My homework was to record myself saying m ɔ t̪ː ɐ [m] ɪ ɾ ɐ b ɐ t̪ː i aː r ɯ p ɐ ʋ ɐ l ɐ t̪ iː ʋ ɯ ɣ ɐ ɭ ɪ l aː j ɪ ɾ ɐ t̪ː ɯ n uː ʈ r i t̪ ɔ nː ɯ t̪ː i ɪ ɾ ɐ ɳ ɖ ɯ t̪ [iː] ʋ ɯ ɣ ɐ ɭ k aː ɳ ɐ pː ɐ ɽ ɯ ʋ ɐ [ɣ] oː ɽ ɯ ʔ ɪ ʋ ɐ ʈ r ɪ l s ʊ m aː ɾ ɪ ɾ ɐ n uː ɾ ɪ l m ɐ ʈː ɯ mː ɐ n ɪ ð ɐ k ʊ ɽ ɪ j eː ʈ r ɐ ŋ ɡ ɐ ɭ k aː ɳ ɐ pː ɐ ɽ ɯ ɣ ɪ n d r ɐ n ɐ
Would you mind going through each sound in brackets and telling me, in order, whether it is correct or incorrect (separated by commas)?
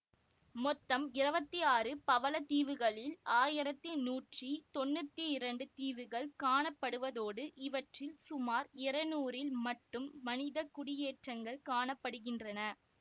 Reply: correct, correct, incorrect